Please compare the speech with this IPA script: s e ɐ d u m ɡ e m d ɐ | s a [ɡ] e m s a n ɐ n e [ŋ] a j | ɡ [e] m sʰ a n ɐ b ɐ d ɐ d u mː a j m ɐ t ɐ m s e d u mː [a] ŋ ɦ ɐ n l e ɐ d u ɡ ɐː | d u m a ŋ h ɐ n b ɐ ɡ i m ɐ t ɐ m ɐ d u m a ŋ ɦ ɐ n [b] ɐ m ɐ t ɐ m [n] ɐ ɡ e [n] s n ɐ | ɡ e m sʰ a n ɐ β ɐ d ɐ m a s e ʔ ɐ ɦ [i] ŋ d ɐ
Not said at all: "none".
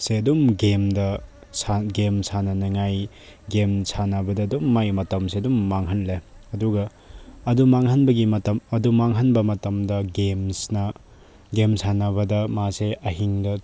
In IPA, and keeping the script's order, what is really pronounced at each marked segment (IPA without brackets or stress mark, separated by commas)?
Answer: ɡ, ŋ, e, a, b, d, m, i